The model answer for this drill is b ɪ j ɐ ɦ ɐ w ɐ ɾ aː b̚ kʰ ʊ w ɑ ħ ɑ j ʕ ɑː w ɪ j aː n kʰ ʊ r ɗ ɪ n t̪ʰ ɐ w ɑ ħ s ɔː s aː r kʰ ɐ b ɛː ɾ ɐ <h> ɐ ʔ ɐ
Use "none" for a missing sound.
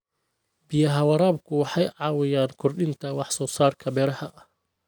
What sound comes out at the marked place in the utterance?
h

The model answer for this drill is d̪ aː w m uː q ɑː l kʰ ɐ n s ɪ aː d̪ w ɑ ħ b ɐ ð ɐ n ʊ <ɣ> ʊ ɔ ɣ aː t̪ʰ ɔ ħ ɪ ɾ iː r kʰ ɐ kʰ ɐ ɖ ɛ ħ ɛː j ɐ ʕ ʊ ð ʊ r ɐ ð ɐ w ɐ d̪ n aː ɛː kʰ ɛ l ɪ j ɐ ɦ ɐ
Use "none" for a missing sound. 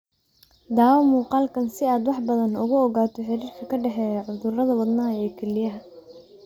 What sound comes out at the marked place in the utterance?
ɣ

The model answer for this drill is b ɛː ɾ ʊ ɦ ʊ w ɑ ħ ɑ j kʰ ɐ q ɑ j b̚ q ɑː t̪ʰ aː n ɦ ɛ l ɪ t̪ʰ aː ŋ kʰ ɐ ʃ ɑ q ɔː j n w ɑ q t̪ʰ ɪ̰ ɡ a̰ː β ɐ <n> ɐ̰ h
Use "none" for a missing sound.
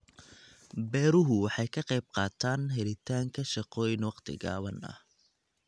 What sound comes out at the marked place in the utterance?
n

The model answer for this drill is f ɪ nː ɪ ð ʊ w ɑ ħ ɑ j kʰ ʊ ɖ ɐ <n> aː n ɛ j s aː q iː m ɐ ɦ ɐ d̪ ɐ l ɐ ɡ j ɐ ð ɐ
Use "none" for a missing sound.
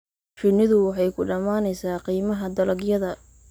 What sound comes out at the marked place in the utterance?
m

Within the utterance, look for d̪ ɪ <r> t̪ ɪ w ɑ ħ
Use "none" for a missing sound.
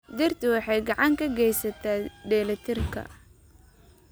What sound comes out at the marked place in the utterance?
r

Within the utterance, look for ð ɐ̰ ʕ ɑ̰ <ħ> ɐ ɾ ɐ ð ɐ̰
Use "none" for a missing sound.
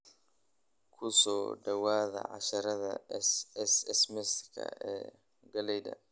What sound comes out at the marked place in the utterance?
ʃ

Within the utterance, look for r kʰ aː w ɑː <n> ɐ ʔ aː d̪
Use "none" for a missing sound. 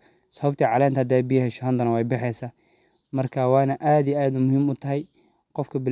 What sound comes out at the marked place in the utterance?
n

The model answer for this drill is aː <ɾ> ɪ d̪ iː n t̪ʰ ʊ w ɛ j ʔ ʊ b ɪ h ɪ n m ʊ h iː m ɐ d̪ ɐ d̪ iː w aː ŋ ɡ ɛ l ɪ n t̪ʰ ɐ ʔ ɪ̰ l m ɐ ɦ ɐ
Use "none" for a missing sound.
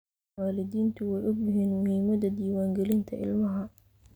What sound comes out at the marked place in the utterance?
l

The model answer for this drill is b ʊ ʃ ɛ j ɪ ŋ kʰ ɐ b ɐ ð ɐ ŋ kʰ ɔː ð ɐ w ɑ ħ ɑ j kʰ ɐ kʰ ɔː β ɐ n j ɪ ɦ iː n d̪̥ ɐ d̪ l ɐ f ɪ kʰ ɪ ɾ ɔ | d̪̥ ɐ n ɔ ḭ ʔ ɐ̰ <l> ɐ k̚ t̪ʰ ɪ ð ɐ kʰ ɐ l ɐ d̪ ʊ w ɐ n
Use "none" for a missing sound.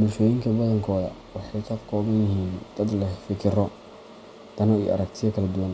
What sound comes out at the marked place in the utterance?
ɾ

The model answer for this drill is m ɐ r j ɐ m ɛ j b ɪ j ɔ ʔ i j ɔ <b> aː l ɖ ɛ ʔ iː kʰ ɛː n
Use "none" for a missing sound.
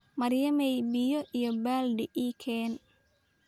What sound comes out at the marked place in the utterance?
b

